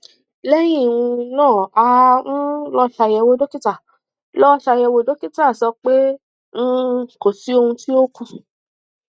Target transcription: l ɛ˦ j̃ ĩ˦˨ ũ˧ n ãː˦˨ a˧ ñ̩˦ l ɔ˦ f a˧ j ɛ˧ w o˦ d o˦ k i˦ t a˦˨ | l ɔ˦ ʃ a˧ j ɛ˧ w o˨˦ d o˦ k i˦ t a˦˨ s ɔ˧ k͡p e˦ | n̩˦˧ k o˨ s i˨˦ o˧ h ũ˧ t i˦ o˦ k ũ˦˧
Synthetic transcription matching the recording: l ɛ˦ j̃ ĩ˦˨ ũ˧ n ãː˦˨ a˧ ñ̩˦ l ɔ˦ ʃ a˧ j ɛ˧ w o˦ d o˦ k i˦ t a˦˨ | l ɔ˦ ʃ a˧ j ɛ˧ w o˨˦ d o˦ k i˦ t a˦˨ s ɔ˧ k͡p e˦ | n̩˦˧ k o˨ s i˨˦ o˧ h ũ˧ t i˦ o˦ k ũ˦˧